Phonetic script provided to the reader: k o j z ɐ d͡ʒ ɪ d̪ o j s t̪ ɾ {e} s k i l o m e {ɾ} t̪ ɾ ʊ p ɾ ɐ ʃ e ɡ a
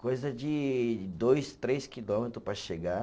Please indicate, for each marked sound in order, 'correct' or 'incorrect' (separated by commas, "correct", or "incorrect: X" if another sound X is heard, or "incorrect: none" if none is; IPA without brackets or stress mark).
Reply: correct, incorrect: none